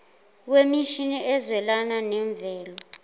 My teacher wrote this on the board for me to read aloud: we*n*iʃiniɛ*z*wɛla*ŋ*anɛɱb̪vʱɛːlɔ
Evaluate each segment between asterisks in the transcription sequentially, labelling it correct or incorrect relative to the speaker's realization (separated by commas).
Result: incorrect, correct, incorrect